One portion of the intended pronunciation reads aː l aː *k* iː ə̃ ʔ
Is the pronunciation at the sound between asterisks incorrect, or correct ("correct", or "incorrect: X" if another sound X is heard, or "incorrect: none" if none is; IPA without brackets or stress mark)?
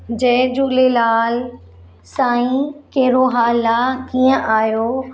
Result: correct